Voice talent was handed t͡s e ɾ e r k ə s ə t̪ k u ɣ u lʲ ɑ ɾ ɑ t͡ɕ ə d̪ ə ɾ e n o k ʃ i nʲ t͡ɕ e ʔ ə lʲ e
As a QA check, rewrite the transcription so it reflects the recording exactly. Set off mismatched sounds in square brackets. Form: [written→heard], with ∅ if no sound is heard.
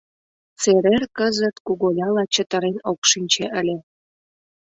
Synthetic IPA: t͡s e ɾ e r k ə [s→z] ə t̪ k u ɣ [u→o] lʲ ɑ [ɾ→l] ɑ t͡ɕ ə [d̪→t̪] ə ɾ e n o k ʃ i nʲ t͡ɕ e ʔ ə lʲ e